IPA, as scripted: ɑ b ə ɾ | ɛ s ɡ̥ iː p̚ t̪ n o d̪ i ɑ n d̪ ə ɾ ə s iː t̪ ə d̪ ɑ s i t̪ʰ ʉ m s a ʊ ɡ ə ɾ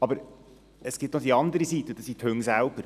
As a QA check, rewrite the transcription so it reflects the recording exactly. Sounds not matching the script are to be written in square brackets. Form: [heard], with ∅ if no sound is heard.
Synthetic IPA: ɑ b ə ɾ | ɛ s ɡ̥ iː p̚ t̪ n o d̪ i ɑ n d̪ ə ɾ ə s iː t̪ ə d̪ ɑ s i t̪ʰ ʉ [ŋ] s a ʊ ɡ ə ɾ